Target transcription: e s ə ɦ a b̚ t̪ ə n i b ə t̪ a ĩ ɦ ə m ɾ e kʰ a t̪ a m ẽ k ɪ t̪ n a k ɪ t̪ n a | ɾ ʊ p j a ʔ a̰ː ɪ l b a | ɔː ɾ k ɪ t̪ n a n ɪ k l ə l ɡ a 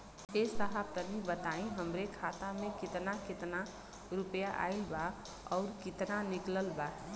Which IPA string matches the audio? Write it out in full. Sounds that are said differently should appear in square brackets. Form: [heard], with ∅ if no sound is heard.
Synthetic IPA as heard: e s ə ɦ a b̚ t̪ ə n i b ə t̪ a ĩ ɦ ə m ɾ e kʰ a t̪ a m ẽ k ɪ t̪ n a k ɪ t̪ n a | ɾ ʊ p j a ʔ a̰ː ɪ l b a | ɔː ɾ k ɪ t̪ n a n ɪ k l ə l [b] a